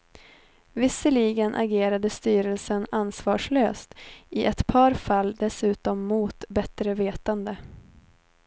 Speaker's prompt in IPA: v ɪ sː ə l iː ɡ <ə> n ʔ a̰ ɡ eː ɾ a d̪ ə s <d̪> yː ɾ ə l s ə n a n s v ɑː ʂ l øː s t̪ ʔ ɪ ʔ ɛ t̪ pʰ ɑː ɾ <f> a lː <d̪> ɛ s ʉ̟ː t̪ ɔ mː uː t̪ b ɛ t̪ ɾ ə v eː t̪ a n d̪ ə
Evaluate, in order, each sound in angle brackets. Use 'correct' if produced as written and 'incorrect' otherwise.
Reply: correct, incorrect, correct, correct

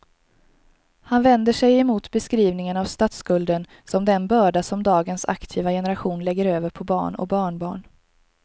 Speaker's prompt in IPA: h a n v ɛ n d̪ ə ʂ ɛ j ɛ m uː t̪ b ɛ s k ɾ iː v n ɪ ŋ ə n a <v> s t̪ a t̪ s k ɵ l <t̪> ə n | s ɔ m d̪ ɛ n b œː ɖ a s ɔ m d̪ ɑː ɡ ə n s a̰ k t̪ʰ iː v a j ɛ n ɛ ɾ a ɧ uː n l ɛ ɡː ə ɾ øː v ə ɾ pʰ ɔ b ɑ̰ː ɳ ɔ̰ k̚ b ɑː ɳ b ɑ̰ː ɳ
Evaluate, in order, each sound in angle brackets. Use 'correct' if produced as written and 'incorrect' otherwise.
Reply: correct, incorrect

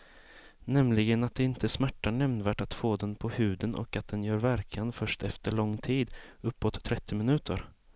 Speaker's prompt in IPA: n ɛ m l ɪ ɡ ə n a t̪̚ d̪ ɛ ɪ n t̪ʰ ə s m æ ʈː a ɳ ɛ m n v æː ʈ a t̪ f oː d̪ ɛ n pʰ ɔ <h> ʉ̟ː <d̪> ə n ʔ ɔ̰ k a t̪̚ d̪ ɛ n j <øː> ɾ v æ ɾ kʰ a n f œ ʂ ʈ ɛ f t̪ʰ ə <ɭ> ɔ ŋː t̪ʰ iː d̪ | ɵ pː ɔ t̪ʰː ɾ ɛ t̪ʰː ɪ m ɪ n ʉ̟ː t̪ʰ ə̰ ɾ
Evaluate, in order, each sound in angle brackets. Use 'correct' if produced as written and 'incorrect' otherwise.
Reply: correct, correct, incorrect, correct

